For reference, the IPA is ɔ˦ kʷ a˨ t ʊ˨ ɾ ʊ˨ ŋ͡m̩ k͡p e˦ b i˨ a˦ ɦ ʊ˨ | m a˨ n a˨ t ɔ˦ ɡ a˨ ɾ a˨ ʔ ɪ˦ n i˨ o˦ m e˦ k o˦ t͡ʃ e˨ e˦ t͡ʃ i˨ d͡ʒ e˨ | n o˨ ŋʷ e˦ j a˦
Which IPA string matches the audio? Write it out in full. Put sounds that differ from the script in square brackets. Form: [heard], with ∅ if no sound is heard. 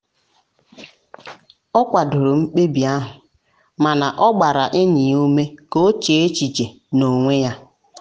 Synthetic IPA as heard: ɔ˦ kʷ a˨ [d] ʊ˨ ɾ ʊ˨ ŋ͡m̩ k͡p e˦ b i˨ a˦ ɦ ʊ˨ | m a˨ n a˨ [ʔ] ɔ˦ [ɡ͡b] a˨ ɾ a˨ ʔ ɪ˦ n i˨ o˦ m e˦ k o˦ t͡ʃ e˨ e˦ t͡ʃ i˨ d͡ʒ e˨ | n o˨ ŋʷ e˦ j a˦